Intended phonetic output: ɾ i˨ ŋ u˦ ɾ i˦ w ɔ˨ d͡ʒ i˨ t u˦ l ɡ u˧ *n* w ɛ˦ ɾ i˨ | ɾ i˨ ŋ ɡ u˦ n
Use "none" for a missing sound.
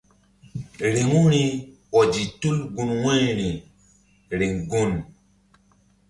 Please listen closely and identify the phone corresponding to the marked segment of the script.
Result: n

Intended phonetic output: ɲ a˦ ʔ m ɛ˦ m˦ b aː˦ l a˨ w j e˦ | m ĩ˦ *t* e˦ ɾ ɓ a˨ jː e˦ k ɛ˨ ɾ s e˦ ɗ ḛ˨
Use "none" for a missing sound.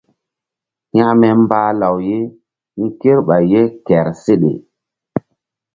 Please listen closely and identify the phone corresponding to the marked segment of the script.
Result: k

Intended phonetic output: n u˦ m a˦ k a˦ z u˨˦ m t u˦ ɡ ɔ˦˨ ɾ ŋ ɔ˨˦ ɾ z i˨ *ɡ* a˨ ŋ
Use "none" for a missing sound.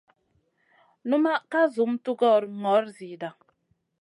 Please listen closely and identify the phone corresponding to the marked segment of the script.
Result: d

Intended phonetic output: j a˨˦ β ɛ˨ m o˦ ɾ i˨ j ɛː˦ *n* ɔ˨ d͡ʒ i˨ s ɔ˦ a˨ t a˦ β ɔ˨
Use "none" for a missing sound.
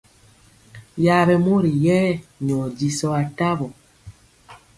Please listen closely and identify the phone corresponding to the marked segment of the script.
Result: ɲ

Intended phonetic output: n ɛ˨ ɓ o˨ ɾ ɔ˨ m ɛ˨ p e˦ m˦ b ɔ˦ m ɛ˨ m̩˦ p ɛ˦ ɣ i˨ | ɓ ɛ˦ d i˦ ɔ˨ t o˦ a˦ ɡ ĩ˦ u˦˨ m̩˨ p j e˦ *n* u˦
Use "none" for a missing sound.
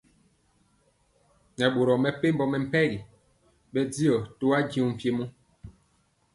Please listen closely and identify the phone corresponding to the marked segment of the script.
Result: m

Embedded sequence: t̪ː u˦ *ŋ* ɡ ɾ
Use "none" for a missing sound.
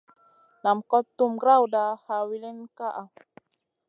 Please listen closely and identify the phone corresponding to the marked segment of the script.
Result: m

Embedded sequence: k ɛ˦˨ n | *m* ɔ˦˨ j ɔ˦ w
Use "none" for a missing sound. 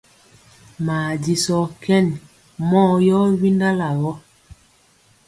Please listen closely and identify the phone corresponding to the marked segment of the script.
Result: m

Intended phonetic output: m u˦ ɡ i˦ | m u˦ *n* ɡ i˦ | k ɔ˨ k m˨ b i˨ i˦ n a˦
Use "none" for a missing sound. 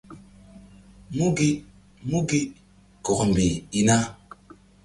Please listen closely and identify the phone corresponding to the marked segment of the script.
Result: none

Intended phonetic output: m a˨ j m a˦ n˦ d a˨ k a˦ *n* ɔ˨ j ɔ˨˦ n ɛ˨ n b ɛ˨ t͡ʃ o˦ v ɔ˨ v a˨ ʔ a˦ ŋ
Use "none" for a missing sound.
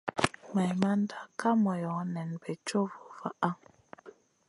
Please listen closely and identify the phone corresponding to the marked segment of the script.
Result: m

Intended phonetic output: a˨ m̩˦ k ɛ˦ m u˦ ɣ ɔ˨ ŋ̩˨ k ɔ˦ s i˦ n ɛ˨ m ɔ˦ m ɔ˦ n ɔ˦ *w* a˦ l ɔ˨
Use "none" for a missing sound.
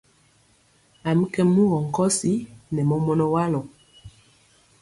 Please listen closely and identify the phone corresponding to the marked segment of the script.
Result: w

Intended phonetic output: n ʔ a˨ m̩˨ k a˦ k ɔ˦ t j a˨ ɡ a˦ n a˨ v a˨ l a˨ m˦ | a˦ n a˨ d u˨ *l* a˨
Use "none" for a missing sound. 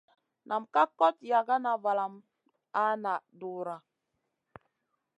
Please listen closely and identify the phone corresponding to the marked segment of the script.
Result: ɾ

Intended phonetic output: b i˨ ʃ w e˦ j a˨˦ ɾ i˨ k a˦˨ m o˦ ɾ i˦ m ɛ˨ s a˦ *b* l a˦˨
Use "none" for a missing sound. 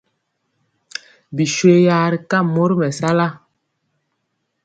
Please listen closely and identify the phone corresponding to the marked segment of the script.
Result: none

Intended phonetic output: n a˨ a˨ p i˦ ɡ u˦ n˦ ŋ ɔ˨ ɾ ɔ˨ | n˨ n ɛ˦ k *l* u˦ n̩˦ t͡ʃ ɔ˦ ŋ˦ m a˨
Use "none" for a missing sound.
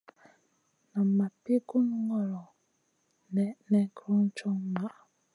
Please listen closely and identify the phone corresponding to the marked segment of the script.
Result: ɾ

